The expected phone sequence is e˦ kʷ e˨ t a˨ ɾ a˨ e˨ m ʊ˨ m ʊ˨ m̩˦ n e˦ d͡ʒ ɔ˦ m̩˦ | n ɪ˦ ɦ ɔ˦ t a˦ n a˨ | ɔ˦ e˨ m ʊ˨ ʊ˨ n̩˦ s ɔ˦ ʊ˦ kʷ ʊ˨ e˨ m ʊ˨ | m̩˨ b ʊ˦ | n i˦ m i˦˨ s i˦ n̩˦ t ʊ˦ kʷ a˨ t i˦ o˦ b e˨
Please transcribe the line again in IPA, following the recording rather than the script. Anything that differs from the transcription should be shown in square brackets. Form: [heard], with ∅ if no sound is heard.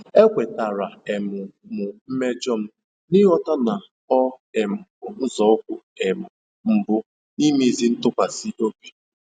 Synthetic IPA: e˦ kʷ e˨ t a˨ ɾ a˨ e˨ m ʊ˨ m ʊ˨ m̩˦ [m] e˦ d͡ʒ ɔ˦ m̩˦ | n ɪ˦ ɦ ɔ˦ t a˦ n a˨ | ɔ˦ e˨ m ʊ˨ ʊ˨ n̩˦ [z] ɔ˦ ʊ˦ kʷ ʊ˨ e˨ m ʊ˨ | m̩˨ b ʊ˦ | n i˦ m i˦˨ [z] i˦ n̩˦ t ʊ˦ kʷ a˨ [s] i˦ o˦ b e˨